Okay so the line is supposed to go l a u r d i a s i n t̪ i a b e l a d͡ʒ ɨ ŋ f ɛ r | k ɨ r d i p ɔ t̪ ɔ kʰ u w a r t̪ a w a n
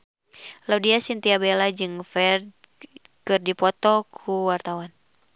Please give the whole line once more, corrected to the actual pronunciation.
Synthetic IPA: l a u d i a s i n t̪ i a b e l a d͡ʒ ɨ ŋ f ɛ r | k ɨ r d i p ɔ t̪ ɔ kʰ u w a r t̪ a w a n